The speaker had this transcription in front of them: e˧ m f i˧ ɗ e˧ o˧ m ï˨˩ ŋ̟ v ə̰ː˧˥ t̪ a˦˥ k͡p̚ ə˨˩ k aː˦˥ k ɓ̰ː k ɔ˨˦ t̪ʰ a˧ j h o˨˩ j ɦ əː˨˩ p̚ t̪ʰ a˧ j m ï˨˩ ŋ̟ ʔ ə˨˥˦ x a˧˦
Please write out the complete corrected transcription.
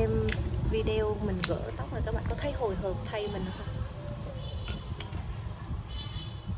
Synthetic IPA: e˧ m v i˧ ɗ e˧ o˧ m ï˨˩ ŋ̟ ɣ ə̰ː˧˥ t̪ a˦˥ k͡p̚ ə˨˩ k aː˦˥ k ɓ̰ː k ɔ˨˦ t̪ʰ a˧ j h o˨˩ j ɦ əː˨˩ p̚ t̪ʰ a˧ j m ï˨˩ ŋ̟ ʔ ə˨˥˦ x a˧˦